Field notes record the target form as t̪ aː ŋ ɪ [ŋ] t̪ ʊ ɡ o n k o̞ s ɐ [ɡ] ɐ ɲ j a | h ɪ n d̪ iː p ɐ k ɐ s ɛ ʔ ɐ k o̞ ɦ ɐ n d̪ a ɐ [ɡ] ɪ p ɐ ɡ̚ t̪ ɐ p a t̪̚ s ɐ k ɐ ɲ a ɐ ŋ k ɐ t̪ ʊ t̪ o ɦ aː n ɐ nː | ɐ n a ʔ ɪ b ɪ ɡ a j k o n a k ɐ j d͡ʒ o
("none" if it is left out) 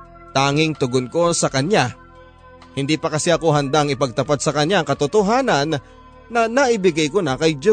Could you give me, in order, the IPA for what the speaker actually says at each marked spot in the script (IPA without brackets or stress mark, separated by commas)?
ŋ, k, ŋ